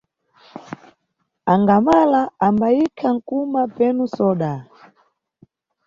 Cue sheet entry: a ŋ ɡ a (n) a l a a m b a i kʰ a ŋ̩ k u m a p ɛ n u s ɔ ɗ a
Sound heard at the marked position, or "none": m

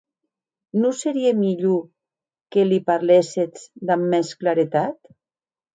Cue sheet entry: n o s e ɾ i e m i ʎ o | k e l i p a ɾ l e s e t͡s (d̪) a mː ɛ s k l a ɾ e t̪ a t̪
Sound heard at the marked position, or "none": d̪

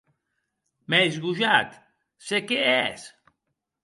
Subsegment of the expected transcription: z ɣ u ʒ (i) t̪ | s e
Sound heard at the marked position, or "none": a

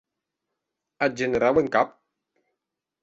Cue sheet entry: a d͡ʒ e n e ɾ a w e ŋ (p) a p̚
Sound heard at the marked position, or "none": k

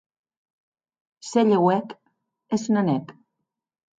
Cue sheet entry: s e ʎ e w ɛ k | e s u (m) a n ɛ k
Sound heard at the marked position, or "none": n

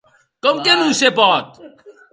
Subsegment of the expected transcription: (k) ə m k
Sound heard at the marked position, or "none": k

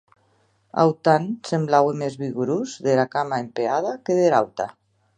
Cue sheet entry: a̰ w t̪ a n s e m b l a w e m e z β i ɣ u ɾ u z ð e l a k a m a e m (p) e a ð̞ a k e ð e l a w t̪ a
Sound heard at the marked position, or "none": p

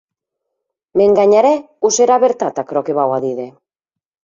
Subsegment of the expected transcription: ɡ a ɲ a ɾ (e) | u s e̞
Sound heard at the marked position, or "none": e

